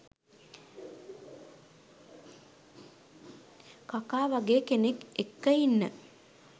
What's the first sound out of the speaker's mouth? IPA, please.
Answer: k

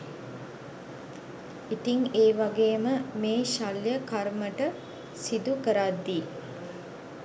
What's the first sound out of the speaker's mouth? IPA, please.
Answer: i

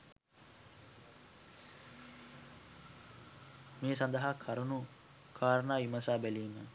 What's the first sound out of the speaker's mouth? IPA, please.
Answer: m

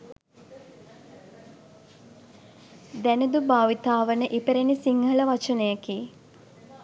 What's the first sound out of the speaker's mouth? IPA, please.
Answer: d̪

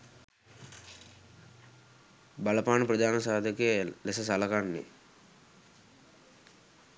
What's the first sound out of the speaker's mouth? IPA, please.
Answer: b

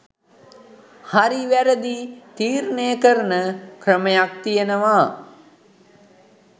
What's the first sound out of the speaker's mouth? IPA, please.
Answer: h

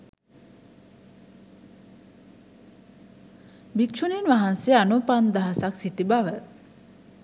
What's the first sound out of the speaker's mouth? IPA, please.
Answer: b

